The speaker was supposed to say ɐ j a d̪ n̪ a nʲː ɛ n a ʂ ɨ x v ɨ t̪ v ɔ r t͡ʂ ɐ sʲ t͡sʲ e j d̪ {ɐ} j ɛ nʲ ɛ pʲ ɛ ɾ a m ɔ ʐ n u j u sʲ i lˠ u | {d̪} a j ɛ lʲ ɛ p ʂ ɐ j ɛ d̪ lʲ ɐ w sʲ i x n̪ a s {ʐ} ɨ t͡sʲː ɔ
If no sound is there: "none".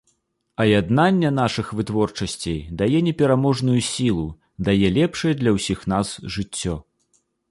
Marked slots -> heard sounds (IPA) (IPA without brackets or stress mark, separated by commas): a, d̪, ʐ